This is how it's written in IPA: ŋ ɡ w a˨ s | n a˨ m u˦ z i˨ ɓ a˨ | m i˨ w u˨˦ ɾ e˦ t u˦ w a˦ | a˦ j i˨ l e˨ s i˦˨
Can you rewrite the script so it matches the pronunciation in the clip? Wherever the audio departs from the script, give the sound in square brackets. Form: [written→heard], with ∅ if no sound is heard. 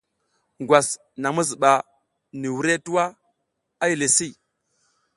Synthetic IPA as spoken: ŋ ɡ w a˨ s | n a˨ m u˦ z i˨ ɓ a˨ | [m→n] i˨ w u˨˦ ɾ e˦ t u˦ w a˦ | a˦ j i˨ l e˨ s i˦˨